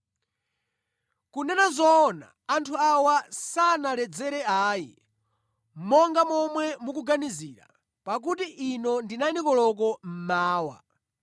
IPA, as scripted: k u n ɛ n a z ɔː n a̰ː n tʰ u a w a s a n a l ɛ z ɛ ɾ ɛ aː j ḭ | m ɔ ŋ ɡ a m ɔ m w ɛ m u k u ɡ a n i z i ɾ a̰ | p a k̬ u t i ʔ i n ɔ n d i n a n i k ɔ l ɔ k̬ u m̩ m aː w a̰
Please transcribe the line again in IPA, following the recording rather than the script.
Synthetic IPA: k u n ɛ n a z ɔː n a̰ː n tʰ u a w a s a n a l ɛ d͡z ɛ ɾ ɛ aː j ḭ | m ɔ ŋ ɡ a m ɔ m w ɛ m u k u ɡ a n i z i ɾ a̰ | p a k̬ u t i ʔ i n ɔ n d i n a n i k ɔ l ɔ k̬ ɔ m̩ m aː w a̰